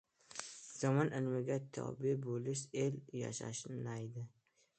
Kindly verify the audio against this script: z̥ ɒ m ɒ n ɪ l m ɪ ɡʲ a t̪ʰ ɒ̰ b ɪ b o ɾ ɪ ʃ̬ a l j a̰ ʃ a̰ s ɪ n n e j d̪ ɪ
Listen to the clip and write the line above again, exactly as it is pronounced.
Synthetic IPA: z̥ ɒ m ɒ n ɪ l m ɪ ɡʲ a t̪ʰ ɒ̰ b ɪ b o l ɪ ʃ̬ e l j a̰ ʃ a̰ ʃ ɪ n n a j d̪ ɪ